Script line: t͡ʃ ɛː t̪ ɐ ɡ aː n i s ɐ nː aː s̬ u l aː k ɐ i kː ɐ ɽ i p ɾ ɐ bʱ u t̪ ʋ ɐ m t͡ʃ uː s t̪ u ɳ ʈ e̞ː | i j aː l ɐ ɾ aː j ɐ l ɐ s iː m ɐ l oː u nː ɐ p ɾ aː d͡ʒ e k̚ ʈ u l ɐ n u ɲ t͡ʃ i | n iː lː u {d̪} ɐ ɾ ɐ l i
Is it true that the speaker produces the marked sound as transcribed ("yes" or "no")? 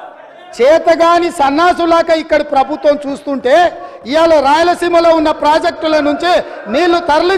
no